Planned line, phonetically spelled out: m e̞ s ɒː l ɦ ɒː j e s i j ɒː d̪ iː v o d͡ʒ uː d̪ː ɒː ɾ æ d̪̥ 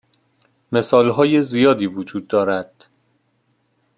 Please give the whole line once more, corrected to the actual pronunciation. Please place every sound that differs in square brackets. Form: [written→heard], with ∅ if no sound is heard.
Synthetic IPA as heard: m e̞ s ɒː l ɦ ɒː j e [s→z] i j ɒː d̪ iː v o d͡ʒ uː d̪ː ɒː ɾ æ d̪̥